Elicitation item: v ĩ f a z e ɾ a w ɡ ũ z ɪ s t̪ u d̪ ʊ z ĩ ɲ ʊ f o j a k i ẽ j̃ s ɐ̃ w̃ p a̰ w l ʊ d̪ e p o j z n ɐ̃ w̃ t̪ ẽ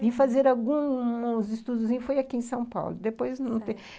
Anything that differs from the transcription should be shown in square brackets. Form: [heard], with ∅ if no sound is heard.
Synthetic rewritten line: v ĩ f a z e ɾ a w ɡ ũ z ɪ s t̪ u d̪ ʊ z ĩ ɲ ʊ f o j a k i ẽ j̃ s ɐ̃ w̃ p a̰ w l ʊ d̪ e p o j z n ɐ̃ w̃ t̪ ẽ